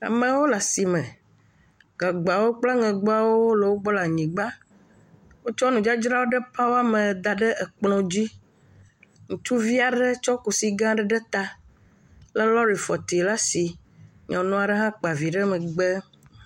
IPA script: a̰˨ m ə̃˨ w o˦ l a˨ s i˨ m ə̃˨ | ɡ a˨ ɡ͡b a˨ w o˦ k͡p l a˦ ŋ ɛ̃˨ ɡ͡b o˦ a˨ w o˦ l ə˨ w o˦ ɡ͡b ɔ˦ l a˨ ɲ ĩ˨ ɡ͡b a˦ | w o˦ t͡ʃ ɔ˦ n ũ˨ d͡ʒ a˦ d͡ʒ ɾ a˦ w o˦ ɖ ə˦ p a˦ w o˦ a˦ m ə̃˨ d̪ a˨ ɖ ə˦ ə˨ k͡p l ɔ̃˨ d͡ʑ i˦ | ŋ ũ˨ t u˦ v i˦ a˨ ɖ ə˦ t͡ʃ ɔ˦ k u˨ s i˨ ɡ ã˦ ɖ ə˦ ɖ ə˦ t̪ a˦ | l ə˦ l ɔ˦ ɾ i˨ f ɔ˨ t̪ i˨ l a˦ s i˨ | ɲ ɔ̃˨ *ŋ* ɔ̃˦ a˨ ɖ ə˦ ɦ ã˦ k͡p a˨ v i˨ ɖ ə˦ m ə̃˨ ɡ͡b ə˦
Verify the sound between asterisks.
incorrect: n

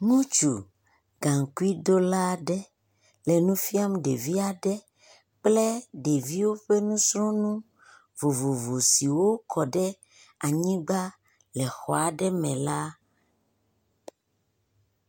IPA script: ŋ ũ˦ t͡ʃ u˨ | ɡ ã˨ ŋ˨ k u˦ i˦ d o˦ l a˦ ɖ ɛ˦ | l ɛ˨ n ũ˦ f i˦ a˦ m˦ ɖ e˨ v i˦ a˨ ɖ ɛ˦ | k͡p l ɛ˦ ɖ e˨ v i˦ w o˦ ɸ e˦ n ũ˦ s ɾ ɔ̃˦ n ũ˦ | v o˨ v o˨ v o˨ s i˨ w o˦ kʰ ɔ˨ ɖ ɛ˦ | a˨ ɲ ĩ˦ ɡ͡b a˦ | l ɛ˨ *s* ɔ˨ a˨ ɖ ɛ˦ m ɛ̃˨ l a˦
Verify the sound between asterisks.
incorrect: x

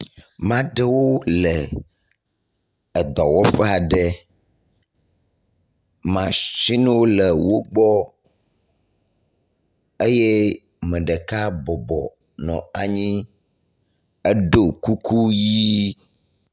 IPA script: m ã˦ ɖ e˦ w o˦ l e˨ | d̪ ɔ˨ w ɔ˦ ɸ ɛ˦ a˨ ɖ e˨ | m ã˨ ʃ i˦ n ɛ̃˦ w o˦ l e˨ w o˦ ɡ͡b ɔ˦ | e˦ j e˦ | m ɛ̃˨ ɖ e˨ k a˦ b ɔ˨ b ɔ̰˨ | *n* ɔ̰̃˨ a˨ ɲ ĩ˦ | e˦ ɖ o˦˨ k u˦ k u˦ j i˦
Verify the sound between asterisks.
correct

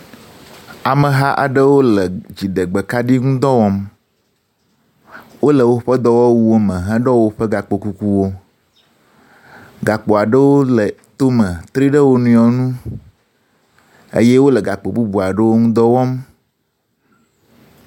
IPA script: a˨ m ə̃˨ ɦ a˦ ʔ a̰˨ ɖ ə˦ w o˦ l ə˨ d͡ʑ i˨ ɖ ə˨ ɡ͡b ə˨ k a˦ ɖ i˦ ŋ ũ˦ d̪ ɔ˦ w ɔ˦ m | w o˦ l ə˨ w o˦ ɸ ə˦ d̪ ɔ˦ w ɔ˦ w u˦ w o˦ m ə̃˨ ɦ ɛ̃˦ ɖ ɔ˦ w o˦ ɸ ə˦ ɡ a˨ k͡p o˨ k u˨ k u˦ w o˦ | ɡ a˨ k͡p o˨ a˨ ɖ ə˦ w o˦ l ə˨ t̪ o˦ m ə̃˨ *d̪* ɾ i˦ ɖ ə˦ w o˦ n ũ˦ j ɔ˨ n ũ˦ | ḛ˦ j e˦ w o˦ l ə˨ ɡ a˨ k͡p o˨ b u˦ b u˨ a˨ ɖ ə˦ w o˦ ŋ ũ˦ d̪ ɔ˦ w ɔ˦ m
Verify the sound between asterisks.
incorrect: t̪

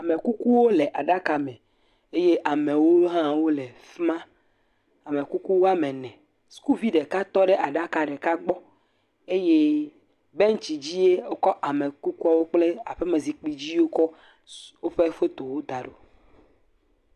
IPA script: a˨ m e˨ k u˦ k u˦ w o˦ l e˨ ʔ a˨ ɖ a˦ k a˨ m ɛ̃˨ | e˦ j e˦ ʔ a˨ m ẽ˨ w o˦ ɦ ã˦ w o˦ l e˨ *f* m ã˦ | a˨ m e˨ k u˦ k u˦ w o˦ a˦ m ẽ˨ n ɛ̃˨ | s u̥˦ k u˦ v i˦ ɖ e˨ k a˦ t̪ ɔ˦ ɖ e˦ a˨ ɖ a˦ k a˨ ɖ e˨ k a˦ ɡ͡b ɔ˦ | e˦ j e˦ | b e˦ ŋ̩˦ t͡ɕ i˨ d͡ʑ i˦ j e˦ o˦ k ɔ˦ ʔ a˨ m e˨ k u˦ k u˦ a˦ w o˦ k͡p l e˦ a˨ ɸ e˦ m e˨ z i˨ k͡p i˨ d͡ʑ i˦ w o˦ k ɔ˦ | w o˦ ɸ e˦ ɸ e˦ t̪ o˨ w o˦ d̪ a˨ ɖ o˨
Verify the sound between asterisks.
correct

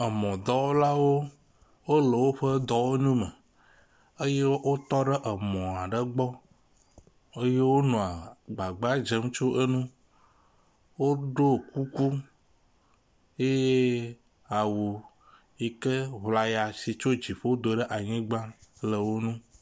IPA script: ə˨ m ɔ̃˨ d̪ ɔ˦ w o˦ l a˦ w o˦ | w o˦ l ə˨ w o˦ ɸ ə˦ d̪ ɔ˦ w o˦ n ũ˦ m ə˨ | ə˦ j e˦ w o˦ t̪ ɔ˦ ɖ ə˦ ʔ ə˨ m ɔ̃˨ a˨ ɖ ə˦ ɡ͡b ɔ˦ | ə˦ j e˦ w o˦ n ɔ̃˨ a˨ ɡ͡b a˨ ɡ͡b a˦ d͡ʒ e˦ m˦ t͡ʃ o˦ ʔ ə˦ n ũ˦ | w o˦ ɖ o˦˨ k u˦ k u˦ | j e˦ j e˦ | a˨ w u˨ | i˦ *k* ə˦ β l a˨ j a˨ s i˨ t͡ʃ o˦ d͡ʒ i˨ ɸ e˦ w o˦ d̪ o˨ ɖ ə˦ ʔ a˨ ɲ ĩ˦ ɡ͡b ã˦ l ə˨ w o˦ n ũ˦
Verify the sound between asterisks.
correct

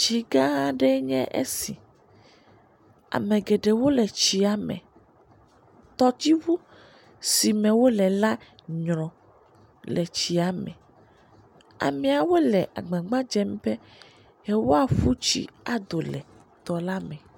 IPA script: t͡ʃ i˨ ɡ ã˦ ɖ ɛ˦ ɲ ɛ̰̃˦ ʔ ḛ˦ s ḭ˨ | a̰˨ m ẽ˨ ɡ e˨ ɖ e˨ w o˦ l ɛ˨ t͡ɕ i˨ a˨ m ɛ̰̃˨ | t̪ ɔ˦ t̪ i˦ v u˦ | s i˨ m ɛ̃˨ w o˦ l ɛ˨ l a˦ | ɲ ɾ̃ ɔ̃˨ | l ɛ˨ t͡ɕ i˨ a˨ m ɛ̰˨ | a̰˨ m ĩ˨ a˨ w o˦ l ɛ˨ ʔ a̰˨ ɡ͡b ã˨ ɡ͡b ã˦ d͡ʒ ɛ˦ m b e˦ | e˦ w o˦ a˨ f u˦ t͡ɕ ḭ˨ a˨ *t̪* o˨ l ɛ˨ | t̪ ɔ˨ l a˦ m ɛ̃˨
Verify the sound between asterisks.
incorrect: d̪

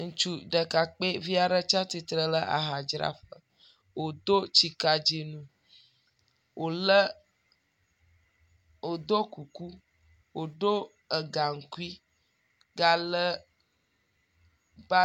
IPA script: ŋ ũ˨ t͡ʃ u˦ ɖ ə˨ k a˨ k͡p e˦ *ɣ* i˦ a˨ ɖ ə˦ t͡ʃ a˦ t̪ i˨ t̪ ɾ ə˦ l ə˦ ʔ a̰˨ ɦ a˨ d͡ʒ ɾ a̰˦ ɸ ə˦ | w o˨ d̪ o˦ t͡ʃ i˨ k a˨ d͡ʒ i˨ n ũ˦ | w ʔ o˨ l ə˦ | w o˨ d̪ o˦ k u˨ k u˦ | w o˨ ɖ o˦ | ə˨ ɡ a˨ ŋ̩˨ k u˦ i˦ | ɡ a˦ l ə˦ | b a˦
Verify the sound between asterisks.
incorrect: v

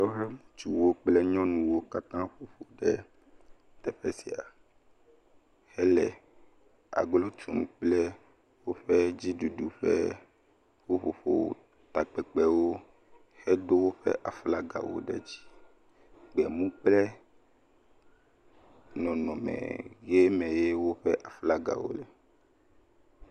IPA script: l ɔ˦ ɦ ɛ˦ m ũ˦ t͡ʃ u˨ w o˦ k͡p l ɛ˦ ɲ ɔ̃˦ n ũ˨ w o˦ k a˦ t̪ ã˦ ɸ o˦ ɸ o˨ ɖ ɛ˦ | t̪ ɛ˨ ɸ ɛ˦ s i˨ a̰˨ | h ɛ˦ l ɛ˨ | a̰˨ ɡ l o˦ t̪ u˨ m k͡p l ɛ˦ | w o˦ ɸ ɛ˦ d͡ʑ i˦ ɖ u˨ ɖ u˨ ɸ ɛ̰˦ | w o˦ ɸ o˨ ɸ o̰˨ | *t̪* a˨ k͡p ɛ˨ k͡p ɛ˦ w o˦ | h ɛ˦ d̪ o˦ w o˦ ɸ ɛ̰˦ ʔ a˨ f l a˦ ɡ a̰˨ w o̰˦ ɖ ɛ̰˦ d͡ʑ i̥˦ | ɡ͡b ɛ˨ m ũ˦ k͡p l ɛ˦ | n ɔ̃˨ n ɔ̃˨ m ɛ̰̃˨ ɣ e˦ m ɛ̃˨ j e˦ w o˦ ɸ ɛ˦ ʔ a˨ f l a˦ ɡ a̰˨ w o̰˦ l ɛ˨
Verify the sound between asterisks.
correct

